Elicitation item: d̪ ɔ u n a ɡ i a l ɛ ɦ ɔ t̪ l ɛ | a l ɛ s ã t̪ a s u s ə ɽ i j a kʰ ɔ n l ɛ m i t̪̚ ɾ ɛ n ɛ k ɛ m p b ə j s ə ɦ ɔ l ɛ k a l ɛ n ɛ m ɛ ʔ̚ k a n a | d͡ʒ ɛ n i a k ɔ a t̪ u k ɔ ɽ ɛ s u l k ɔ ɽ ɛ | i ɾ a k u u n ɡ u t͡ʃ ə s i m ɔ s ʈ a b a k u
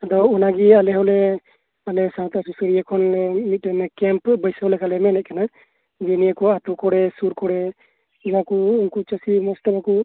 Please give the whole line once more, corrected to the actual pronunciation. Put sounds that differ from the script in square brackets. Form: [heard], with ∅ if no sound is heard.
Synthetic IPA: d̪ ɔ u n a ɡ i a l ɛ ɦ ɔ [∅] l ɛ | a l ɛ s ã t̪ a s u s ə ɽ i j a kʰ ɔ n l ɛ m i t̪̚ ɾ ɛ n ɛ k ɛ m p b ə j s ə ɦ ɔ l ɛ k a l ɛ [m] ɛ [n] ɛ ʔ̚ k a n a | d͡ʒ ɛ n i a k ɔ a t̪ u k ɔ ɽ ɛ s u [ɾ] k ɔ ɽ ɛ | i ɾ a k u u n [k] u t͡ʃ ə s i m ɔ s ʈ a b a k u